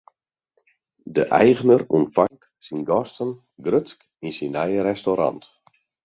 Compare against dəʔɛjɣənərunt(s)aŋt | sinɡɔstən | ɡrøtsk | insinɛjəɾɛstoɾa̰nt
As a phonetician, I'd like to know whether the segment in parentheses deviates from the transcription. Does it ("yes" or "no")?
yes